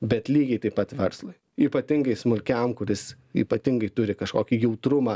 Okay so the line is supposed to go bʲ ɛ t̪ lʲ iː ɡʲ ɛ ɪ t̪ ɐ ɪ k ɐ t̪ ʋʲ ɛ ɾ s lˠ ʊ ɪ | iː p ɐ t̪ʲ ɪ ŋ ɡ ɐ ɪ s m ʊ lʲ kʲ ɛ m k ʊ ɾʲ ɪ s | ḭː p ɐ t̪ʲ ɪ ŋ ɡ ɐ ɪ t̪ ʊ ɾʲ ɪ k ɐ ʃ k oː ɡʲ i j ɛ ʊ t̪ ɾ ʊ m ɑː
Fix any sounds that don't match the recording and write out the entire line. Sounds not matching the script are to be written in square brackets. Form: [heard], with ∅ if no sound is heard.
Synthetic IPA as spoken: bʲ ɛ t̪ lʲ iː ɡʲ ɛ ɪ t̪ ɐ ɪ [p] ɐ t̪ ʋʲ ɛ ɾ s lˠ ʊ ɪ | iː p ɐ t̪ʲ ɪ ŋ ɡ ɐ ɪ s m ʊ lʲ kʲ ɛ m k ʊ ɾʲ ɪ s | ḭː p ɐ t̪ʲ ɪ ŋ ɡ ɐ ɪ t̪ ʊ ɾʲ ɪ k ɐ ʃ k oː [kʲ] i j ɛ ʊ t̪ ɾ ʊ m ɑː